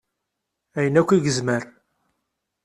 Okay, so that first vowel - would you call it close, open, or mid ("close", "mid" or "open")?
open